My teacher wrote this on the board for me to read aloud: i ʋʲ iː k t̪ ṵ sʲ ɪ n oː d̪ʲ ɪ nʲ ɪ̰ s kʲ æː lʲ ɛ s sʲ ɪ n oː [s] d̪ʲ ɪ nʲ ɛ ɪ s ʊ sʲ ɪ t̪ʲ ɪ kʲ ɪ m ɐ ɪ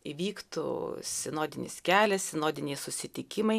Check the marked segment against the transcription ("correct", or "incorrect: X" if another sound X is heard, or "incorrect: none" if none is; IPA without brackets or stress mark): incorrect: none